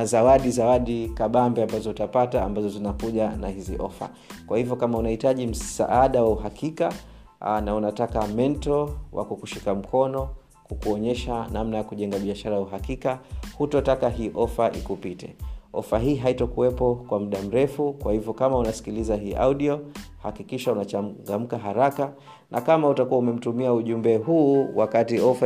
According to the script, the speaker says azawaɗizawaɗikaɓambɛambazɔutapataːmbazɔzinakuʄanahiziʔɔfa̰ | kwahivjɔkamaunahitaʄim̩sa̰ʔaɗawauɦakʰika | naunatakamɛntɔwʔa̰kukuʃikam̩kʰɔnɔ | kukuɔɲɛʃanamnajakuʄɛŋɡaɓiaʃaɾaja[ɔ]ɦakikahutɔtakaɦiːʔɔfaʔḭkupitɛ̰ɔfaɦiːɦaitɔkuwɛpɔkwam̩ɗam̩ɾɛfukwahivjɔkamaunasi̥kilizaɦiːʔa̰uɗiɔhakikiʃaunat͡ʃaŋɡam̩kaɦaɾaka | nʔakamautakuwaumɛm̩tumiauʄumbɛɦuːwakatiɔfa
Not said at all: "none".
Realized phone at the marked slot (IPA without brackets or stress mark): u